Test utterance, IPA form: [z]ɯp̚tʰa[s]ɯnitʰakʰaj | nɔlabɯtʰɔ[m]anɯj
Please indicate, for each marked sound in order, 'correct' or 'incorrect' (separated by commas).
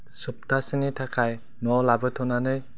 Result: incorrect, correct, incorrect